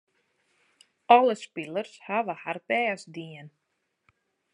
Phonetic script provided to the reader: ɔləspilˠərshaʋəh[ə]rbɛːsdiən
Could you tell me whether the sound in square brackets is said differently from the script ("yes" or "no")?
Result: yes